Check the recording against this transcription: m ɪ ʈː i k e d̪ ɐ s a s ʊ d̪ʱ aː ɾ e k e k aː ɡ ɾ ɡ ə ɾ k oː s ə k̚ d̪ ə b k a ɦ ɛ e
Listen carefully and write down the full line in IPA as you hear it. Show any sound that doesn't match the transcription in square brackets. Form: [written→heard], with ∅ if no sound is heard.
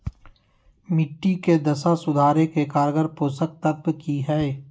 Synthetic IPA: m ɪ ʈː i k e d̪ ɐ s a s ʊ d̪ʱ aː ɾ e k e k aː [ɡ→∅] ɾ ɡ ə ɾ [k→p] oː s ə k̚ [d̪→t̪] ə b k [a→i] ɦ ɛ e